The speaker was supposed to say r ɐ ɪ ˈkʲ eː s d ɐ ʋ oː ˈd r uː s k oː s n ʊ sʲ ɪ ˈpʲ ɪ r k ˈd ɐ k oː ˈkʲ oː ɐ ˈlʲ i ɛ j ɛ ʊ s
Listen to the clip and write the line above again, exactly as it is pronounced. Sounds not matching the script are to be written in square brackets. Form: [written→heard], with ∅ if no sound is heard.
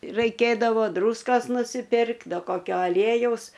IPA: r ɐ ɪ ˈkʲ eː [s→∅] d ɐ ʋ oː ˈd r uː s k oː s n ʊ sʲ ɪ ˈpʲ ɪ r k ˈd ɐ k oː ˈkʲ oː ɐ ˈlʲ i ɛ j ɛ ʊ s

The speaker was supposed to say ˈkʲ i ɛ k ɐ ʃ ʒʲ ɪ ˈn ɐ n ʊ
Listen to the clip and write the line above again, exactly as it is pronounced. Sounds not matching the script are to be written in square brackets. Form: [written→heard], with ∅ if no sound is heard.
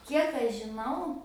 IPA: ˈkʲ i ɛ k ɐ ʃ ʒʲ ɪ ˈn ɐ [n→∅] ʊ

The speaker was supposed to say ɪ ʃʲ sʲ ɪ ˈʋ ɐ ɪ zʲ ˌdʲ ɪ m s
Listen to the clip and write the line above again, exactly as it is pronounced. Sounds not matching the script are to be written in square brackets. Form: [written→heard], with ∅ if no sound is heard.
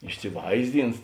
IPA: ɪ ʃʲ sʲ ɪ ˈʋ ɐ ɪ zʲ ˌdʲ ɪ [m→n] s

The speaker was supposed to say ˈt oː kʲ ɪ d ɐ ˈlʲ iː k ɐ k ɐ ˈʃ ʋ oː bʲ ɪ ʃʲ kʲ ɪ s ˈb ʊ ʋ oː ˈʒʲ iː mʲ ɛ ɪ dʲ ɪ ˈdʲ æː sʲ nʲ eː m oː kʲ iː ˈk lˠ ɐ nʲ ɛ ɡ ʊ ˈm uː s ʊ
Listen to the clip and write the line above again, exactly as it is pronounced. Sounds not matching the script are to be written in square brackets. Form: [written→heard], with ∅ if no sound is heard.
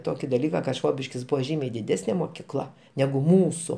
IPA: ˈt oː kʲ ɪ d ɐ ˈlʲ iː k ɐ k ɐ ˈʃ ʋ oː bʲ ɪ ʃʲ kʲ ɪ s ˈb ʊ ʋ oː ˈʒʲ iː mʲ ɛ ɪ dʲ ɪ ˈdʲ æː sʲ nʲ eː m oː kʲ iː ˈk lˠ ɐ nʲ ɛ ɡ ʊ ˈm uː s ʊ

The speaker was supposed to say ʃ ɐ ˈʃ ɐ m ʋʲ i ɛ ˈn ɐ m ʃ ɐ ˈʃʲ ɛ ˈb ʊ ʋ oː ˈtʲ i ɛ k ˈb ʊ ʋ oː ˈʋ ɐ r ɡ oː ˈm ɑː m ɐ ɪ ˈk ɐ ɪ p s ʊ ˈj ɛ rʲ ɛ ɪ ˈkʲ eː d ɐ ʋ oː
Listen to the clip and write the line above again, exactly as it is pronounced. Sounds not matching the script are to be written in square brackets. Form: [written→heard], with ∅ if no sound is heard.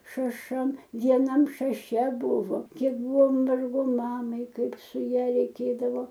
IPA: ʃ ɐ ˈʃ ɐ m ʋʲ i ɛ ˈn ɐ m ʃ ɐ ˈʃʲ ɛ ˈb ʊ ʋ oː [ˈtʲ→ˈkʲ] i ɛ k ˈb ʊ ʋ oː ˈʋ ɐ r ɡ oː ˈm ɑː m ɐ ɪ ˈk ɐ ɪ p s ʊ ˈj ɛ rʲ ɛ ɪ ˈkʲ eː d ɐ ʋ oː

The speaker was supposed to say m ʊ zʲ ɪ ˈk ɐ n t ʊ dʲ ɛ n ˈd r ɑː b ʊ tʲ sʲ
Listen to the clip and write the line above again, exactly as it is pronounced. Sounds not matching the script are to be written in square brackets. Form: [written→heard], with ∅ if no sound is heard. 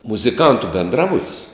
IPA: m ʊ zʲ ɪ ˈk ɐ n t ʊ [dʲ→bʲ] ɛ n ˈd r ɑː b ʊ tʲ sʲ

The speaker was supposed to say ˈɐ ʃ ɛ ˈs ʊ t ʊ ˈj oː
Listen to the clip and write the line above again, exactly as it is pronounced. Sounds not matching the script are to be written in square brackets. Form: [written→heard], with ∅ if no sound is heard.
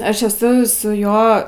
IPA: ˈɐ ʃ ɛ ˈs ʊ [t→s] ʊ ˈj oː

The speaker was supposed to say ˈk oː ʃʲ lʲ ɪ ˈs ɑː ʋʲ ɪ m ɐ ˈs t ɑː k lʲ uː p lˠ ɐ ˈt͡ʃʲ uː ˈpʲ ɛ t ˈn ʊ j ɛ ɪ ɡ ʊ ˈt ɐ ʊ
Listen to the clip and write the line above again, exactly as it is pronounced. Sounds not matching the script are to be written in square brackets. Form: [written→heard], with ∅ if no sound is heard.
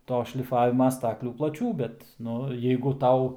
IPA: [ˈk→ˈt] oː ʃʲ lʲ ɪ [ˈs→ˈf] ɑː ʋʲ ɪ m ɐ ˈs t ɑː k lʲ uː p lˠ ɐ ˈt͡ʃʲ uː [ˈpʲ→ˈbʲ] ɛ t ˈn ʊ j ɛ ɪ ɡ ʊ ˈt ɐ ʊ

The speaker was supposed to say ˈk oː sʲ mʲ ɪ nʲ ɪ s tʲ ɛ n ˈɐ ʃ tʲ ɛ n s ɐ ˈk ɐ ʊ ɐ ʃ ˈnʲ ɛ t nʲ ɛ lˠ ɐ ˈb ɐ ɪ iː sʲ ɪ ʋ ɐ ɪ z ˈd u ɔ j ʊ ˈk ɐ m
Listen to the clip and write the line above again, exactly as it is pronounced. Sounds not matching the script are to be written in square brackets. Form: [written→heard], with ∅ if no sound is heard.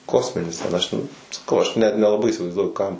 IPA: ˈk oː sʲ mʲ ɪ nʲ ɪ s tʲ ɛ n ˈɐ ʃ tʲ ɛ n s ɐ ˈk ɐ ʊ ɐ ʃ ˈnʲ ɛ t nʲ ɛ lˠ ɐ ˈb ɐ ɪ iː sʲ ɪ ʋ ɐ ɪ z ˈd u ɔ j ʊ ˈk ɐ m

